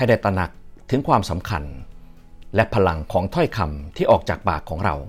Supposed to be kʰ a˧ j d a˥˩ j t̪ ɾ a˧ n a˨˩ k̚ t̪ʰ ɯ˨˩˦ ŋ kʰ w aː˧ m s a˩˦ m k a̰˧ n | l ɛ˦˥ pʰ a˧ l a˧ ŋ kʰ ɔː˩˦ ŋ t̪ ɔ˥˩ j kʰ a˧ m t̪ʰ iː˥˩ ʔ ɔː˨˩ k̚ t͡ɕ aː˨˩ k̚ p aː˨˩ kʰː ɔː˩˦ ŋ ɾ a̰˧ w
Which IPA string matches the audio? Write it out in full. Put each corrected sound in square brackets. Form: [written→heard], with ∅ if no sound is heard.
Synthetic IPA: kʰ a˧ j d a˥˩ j t̪ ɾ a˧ n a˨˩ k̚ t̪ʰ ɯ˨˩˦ ŋ kʰ w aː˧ m s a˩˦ m [k→kʰ] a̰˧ n | l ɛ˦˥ pʰ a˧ l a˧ ŋ kʰ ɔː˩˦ ŋ [t̪→t̪ʰ] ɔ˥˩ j kʰ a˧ m t̪ʰ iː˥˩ ʔ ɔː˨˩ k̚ t͡ɕ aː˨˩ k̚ p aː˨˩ kʰː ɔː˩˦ ŋ ɾ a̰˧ w